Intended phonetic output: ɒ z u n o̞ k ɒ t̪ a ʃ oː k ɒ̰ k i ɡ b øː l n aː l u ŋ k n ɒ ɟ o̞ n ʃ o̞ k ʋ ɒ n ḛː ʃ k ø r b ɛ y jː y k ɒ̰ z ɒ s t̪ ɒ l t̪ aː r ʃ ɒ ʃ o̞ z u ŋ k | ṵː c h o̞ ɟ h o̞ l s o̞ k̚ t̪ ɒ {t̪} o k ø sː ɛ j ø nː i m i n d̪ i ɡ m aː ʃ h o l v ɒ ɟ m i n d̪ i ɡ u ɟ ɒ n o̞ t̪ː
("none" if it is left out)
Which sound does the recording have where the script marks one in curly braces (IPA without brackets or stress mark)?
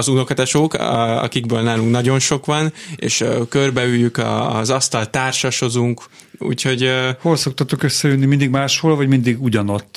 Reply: t̪